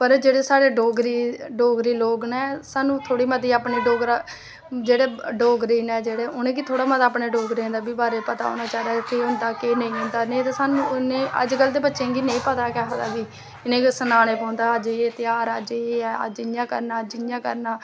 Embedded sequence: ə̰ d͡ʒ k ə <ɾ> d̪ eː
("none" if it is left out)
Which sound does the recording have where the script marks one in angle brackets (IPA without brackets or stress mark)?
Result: l